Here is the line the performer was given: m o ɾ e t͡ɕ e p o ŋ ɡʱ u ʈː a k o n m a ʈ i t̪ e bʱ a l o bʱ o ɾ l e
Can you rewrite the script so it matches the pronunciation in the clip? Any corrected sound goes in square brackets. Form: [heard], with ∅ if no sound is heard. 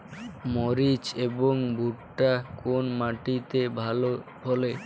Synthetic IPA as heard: m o ɾ [i] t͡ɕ e [b] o ŋ [bʱ] u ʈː a k o n m a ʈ i t̪ e bʱ a l o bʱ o [∅] l e